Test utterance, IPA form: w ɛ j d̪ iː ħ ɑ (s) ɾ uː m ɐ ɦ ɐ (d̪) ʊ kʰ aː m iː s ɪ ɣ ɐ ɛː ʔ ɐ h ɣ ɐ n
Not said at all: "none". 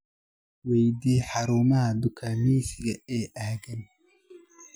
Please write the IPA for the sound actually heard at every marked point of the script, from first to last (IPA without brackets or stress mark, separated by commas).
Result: none, d̪